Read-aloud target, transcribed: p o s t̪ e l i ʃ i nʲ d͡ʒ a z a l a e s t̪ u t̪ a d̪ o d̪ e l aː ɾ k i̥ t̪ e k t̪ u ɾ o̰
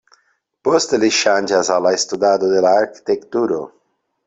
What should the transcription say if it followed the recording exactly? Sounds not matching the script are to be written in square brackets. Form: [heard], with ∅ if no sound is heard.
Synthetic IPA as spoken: p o s t̪ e l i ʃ [a] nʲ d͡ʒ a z a l a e s t̪ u [d̪] a d̪ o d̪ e l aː ɾ k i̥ t̪ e k t̪ u ɾ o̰